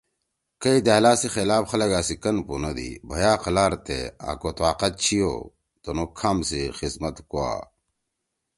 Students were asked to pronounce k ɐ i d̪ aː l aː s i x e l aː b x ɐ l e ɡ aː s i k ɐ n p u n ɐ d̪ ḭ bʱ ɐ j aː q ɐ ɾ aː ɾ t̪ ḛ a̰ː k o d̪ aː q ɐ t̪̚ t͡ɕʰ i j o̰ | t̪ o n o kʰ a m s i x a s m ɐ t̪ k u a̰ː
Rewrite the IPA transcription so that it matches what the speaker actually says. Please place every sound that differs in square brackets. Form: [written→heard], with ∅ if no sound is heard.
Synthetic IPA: k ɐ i d̪ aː l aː s i x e l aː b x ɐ l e ɡ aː s i k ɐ n p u n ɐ d̪ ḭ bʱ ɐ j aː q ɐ [ɾ→l] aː ɾ t̪ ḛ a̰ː k o [d̪→t̪] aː q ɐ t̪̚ t͡ɕʰ i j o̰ | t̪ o n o kʰ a m s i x [a→i] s m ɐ t̪ k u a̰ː